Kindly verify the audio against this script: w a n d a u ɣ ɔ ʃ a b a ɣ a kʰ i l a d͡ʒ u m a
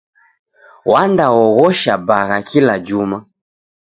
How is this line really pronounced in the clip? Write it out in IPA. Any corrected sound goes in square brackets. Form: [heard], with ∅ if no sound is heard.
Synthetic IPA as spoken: w a n d a [ɔ] ɣ ɔ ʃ a b a ɣ a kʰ i l a d͡ʒ u m a